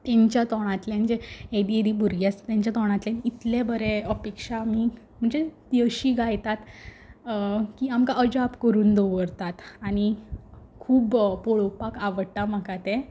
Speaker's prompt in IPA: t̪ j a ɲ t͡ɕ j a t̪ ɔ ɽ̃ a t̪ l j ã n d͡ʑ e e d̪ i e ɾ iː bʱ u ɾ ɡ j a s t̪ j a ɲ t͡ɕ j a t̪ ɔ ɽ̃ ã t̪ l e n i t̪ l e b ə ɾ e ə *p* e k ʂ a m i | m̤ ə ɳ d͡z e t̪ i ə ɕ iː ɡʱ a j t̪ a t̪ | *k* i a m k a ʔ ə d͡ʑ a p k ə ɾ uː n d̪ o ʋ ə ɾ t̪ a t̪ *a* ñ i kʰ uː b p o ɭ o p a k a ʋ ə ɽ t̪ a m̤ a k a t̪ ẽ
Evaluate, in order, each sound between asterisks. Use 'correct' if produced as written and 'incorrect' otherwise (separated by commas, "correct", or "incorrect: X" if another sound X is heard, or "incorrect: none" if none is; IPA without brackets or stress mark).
correct, correct, correct